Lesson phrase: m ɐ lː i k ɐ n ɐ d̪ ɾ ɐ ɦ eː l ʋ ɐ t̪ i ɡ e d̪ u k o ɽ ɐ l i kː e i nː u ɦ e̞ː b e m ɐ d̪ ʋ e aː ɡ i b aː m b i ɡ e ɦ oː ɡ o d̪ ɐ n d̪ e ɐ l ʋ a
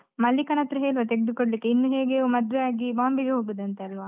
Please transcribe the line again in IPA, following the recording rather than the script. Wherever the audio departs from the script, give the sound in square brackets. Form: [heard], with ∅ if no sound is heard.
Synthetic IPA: m ɐ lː i k ɐ n ɐ [t̪] ɾ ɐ ɦ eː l ʋ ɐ t̪ [e] ɡ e d̪ u k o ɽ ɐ l i kː e i nː u ɦ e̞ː [ɡ] e m ɐ d̪ ʋ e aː ɡ i b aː m b i ɡ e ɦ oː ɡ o d̪ ɐ n [t̪] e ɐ l ʋ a